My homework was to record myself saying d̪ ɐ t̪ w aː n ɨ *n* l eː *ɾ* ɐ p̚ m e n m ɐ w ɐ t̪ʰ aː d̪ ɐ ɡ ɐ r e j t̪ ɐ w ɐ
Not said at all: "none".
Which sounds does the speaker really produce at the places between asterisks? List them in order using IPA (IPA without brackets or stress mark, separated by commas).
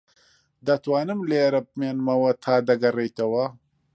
m, ɾ